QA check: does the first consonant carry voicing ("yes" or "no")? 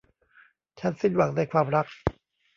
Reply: no